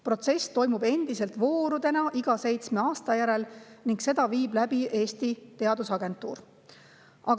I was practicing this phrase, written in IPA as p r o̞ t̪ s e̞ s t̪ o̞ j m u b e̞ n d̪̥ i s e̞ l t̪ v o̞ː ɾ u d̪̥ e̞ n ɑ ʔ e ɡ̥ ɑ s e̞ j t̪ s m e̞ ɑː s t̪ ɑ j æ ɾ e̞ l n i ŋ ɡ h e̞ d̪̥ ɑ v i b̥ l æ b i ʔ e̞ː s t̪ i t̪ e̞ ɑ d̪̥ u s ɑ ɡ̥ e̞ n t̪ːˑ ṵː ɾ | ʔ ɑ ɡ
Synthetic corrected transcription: p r o̞ t̪ s e̞ s t̪ o̞ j m u b e̞ n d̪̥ i s e̞ l t̪ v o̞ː ɾ u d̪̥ e̞ n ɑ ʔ i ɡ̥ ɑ s e̞ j t̪ s m e̞ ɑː s t̪ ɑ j æ ɾ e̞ l n i ŋ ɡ s e̞ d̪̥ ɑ v iː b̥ l æ b i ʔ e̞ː s t̪ i t̪ e̞ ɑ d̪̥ u s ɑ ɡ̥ e̞ n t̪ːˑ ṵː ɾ | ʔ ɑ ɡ